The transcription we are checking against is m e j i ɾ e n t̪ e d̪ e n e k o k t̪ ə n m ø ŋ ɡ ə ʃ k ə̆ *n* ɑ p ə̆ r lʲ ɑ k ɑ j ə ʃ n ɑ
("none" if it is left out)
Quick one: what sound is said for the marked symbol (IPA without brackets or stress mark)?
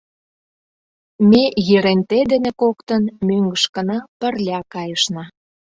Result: n